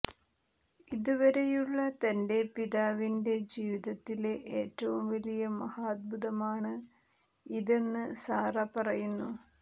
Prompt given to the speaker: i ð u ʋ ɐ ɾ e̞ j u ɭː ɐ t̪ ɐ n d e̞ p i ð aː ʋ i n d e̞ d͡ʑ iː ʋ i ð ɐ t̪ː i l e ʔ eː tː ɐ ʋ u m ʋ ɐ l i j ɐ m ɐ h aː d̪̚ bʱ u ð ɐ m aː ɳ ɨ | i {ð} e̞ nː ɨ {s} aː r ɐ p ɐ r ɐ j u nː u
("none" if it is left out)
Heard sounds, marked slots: ð, s

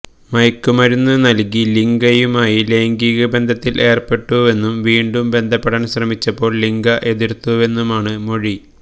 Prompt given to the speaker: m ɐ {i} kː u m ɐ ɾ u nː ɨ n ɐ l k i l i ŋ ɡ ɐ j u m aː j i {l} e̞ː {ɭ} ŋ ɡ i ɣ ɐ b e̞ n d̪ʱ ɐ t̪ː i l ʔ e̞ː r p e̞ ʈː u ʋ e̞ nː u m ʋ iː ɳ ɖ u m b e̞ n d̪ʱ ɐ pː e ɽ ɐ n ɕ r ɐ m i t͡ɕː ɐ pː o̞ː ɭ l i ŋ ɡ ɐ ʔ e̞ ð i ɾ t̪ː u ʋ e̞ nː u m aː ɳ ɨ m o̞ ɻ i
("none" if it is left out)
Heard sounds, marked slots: j, l, none

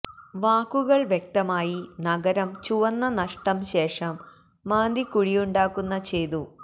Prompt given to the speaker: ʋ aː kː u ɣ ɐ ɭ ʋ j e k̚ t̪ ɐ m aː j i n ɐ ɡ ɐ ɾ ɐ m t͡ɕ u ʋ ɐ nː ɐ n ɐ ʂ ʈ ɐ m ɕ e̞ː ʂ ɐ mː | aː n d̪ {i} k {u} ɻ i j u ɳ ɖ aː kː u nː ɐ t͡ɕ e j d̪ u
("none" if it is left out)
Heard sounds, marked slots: i, u

